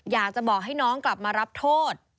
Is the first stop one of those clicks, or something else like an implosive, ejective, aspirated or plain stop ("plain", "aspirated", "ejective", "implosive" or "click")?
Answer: plain